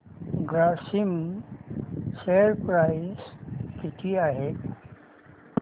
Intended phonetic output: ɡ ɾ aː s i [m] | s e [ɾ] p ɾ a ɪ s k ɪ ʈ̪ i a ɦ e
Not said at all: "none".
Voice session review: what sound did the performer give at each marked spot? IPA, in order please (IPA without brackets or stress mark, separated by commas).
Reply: m, ɾ